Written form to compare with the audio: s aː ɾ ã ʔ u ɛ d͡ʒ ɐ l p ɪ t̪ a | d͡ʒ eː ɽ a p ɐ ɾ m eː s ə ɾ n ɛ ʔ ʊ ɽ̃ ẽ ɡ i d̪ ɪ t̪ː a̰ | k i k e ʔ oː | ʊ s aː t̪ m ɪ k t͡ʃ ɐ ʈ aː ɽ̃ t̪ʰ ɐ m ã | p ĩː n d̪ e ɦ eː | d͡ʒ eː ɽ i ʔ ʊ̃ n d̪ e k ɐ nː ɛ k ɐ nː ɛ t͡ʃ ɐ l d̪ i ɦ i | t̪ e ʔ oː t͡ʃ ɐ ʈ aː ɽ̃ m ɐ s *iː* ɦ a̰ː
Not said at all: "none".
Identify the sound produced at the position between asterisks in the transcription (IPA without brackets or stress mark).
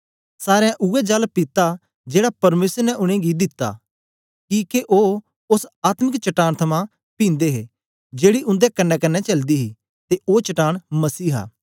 iː